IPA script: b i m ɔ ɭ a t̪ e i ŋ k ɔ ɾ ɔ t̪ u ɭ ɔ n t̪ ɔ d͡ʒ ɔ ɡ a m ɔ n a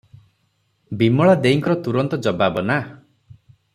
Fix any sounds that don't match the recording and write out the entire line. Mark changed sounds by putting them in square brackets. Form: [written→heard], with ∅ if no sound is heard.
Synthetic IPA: b i m ɔ ɭ a [t̪→d̪] e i ŋ k ɔ ɾ ɔ t̪ u [ɭ→ɾ] ɔ n t̪ ɔ d͡ʒ ɔ [ɡ→b] a [m→b] ɔ n a